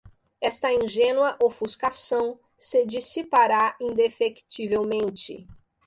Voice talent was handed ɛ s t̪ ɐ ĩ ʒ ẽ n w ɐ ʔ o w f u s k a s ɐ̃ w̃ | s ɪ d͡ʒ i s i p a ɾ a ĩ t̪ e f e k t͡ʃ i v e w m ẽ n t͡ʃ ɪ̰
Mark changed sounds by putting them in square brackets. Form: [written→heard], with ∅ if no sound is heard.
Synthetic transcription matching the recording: ɛ s t̪ ɐ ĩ ʒ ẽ n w ɐ ʔ o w f u s k a s ɐ̃ w̃ | s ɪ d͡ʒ i s i p a ɾ a ĩ [t̪→d̪] e f e k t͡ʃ i v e w m ẽ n t͡ʃ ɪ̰